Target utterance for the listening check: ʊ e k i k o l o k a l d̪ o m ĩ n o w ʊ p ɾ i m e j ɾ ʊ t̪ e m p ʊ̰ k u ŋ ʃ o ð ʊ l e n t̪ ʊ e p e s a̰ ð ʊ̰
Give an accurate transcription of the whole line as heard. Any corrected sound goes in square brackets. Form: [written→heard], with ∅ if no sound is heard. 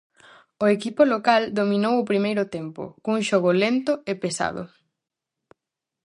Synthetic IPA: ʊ e k i [k→p] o l o k a l d̪ o m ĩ n o w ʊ p ɾ i m e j ɾ ʊ t̪ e m p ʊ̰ k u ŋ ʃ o [ð→ɣ] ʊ l e n t̪ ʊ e p e s a̰ ð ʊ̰